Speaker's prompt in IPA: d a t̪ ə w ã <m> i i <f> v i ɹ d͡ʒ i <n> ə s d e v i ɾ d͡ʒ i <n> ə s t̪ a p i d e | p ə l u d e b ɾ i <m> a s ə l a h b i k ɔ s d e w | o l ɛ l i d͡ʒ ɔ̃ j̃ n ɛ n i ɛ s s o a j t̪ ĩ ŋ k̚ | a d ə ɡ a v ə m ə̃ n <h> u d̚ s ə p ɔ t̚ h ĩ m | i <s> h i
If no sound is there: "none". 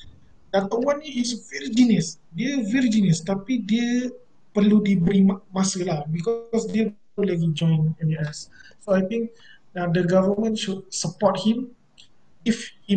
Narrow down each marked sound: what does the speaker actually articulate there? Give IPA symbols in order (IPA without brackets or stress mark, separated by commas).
n, s, n, n, m, ʃ, f